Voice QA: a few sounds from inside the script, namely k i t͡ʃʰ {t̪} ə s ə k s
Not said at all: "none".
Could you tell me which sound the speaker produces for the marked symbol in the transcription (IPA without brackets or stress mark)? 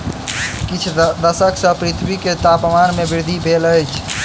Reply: d̪